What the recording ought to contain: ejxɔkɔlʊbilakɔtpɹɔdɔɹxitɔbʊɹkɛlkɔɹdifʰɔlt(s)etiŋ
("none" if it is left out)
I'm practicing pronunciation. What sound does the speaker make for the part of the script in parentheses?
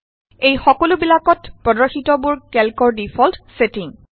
s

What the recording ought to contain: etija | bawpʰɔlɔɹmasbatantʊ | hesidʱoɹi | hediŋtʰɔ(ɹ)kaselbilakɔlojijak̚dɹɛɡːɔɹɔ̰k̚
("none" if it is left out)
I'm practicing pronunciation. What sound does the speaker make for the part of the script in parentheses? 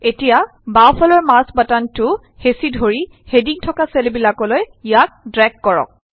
none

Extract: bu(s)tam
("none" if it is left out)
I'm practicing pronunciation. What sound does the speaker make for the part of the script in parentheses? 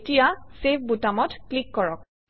none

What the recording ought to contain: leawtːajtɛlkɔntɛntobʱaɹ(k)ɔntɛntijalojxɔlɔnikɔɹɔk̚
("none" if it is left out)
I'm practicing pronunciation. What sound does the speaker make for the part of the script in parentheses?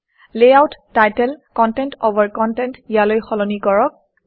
k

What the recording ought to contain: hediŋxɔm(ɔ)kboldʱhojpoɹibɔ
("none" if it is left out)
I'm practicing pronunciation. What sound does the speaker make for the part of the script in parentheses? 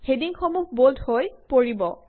u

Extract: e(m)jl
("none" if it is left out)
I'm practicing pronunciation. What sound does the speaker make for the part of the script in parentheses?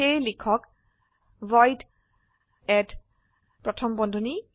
none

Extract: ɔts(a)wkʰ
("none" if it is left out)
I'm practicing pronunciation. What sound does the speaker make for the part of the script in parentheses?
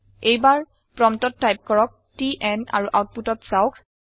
a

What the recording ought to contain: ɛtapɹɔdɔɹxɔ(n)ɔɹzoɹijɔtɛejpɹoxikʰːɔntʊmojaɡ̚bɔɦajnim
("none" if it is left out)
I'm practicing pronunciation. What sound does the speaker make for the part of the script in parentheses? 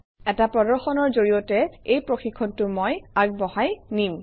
n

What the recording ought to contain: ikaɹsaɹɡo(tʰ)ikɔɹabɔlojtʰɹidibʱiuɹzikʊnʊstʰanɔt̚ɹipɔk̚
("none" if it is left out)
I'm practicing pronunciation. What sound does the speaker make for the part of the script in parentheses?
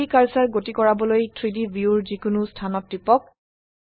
t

